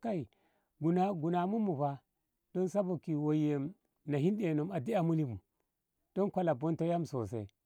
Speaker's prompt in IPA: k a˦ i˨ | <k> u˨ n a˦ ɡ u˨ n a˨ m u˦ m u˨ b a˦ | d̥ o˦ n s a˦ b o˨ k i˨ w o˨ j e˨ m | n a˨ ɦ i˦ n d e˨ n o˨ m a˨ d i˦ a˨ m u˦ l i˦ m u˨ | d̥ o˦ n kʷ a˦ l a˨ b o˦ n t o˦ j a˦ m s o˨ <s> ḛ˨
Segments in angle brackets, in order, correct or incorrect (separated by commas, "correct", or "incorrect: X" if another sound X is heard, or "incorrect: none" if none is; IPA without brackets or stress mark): incorrect: ɡ, correct